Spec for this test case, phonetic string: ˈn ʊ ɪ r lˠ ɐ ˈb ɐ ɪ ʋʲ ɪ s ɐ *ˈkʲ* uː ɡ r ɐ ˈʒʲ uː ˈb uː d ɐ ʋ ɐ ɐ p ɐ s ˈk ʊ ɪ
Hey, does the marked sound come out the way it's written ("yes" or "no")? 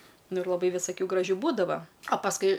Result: yes